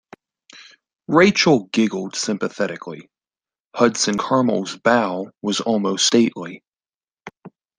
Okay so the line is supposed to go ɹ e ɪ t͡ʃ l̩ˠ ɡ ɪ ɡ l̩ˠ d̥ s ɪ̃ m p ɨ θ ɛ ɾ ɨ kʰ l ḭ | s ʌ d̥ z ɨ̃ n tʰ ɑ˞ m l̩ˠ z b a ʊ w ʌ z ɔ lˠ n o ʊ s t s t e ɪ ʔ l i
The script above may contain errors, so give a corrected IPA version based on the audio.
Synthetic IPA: ɹ e ɪ t͡ʃ l̩ˠ ɡ ɪ ɡ l̩ˠ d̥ s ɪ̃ m p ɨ θ ɛ ɾ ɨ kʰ l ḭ | h ʌ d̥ s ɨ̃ n kʰ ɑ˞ m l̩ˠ z b a ʊ w ʌ z ɔ lˠ m o ʊ s t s t e ɪ ʔ l i